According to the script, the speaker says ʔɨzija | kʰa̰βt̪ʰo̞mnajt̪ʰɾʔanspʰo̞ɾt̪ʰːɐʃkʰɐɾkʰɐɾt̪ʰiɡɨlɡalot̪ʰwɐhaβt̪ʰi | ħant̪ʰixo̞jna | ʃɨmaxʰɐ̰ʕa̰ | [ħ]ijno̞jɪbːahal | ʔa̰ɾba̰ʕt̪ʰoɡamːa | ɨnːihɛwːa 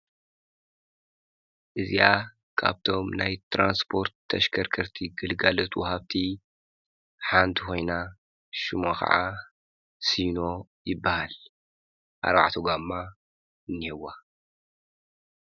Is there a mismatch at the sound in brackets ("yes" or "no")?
yes